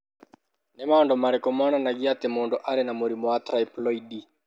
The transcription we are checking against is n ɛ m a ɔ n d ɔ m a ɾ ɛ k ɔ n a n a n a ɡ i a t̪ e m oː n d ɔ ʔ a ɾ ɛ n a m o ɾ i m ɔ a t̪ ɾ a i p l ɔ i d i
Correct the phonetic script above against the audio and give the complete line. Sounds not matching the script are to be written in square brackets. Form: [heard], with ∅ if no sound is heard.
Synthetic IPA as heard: n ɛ m a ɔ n d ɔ m a ɾ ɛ k ɔ [m] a n a n a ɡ i a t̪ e m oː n d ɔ ʔ a ɾ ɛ n a m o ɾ i m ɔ a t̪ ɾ a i p l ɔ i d i